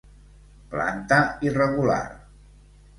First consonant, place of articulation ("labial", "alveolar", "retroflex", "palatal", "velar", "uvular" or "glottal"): labial